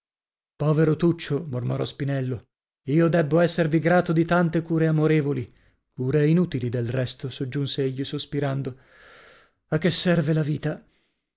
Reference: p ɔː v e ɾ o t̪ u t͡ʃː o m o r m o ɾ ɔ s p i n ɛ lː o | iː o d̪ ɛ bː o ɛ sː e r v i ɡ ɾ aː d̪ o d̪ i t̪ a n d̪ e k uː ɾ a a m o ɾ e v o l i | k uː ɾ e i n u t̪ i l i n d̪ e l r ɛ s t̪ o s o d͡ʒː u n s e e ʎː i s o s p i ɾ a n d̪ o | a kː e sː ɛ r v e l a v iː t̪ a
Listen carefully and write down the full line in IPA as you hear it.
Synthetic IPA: p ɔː v e ɾ o t̪ u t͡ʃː o m o r m o ɾ ɔ s p i n ɛ lː o | iː o d̪ ɛ bː o ɛ sː e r v i ɡ ɾ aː t̪ o d̪ i t̪ a n t̪ e k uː ɾ e a m o ɾ e v o l i | k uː ɾ e i n u t̪ i l i d̪ e l r ɛ s t̪ o s o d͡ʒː u n s e e ʎː i s o s p i ɾ a n d̪ o | a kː e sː ɛ r v e l a v iː t̪ a